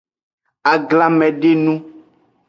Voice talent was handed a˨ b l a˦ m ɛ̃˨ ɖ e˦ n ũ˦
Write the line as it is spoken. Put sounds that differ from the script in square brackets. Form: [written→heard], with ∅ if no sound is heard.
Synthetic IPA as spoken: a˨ [b→ɡ] l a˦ m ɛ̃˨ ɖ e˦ n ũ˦

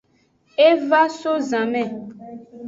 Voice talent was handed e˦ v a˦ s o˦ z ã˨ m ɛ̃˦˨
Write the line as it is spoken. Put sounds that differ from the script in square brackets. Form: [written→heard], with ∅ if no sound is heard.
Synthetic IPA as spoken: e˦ v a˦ s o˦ z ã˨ m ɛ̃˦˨

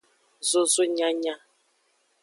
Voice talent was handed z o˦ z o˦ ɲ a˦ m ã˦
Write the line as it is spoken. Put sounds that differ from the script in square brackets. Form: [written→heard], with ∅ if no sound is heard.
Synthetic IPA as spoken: z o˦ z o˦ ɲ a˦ [m→ɲ] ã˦

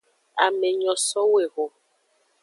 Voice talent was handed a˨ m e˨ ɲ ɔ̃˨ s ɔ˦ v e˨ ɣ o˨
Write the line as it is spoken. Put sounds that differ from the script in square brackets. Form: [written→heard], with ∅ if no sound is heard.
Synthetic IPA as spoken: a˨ m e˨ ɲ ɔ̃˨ s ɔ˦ [v→w] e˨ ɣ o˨

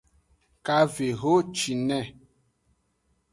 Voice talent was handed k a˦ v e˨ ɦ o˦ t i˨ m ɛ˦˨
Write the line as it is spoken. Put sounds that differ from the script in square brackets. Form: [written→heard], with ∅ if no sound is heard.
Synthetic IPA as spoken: k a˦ v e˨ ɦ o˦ [t→t͡ʃ] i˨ [m→n] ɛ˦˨

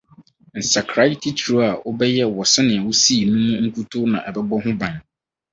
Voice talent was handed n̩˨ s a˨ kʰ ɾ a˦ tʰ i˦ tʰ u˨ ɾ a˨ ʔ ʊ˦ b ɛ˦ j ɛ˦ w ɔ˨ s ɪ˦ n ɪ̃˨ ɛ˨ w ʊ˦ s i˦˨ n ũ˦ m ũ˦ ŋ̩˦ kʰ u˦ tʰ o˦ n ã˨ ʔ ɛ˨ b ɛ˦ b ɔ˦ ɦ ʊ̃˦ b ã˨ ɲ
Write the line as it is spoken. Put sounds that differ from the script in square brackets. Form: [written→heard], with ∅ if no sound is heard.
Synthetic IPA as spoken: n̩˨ s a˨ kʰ ɾ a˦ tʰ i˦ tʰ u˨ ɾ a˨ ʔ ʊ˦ b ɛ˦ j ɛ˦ w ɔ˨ s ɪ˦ n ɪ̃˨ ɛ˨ w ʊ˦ s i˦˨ n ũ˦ m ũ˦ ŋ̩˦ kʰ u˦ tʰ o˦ n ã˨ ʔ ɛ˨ b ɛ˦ b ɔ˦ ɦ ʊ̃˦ b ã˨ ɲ

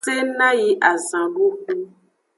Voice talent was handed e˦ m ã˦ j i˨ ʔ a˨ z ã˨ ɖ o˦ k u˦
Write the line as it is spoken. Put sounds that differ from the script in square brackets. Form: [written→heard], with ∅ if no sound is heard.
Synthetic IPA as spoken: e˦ [m→n] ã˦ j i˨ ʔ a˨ z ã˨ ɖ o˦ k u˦

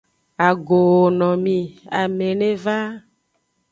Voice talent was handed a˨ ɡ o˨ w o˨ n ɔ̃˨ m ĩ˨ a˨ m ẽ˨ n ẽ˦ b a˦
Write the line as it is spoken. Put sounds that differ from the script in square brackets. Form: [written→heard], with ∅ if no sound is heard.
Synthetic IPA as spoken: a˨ ɡ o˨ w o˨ n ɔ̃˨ m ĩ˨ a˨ m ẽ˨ n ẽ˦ [b→v] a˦

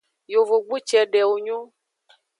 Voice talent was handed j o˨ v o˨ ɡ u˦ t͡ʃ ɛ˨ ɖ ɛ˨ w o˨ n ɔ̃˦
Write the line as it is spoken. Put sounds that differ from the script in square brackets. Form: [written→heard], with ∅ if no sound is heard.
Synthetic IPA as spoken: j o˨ v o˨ [ɡ→ɡ͡b] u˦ t͡ʃ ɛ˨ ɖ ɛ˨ w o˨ [n→ɲ] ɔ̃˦

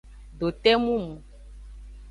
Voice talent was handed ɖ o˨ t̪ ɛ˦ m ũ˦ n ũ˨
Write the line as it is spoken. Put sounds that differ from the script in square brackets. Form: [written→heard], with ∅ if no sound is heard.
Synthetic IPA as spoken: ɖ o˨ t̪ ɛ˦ m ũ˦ [n→m] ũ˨

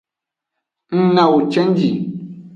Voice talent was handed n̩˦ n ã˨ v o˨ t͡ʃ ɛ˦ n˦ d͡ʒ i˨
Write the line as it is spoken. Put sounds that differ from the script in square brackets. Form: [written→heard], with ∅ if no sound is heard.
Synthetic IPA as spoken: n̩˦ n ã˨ [v→w] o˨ t͡ʃ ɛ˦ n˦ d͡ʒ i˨

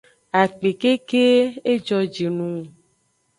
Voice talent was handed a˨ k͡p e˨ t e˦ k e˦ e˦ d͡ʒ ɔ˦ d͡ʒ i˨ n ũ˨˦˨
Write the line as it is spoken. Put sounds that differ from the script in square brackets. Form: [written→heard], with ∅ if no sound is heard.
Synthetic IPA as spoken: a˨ k͡p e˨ [t→k] e˦ k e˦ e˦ d͡ʒ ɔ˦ d͡ʒ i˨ n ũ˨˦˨

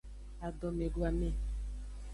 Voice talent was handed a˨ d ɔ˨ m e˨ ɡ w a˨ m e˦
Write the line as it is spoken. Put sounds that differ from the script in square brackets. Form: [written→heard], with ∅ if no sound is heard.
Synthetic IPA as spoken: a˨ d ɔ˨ m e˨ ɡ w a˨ m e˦

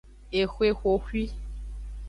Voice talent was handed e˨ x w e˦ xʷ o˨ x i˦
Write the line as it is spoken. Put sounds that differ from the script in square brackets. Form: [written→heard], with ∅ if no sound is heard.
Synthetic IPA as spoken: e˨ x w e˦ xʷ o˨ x i˦

